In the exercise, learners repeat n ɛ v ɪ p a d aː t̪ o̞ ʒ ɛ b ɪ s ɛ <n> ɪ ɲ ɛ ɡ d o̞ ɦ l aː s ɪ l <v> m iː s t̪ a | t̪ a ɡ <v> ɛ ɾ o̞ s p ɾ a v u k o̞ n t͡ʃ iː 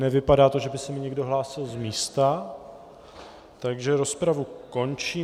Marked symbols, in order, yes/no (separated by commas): no, no, no